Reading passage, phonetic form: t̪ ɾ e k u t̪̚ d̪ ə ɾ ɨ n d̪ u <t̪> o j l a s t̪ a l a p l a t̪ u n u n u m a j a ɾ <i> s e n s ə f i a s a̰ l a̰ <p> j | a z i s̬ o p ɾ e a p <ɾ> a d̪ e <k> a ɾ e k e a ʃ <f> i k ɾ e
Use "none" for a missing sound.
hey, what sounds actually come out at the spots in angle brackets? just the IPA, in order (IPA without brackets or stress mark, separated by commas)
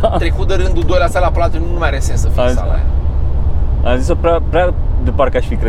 d̪, e, none, ɾ, p, f